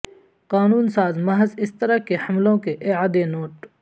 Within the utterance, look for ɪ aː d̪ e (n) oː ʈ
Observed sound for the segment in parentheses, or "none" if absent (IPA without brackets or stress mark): n